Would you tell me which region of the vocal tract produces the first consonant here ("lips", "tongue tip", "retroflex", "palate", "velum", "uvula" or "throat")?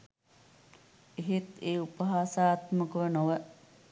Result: throat